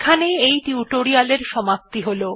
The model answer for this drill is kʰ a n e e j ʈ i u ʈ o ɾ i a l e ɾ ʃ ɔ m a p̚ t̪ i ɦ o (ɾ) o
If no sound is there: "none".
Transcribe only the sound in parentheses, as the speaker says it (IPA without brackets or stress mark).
l